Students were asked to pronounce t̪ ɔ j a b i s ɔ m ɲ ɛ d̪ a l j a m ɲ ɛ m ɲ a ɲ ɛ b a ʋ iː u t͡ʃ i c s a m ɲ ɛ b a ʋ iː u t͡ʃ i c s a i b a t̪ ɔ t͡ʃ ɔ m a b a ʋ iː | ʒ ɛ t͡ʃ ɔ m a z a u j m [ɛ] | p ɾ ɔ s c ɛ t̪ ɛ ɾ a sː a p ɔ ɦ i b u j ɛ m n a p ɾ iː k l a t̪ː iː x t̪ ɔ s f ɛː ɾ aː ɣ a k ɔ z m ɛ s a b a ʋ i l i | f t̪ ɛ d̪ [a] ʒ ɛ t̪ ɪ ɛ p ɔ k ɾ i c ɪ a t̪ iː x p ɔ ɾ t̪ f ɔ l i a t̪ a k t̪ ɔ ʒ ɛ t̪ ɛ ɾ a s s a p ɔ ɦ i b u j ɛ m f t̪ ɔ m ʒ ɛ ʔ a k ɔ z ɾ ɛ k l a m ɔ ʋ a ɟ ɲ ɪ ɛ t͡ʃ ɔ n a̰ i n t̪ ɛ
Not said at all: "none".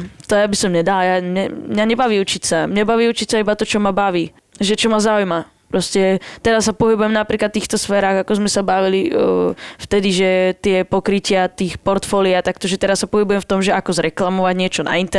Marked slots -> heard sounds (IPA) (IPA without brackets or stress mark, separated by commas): a, i